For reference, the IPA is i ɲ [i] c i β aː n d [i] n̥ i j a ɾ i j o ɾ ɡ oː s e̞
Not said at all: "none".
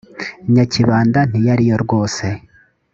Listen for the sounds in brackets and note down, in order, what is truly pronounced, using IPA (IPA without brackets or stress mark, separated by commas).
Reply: a, a